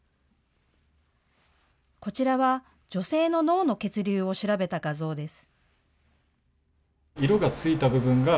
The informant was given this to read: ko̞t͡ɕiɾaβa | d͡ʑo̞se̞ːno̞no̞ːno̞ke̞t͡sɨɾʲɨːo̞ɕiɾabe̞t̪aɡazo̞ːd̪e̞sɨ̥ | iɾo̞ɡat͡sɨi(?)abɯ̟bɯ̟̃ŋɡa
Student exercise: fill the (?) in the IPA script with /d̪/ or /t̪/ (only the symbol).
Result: t̪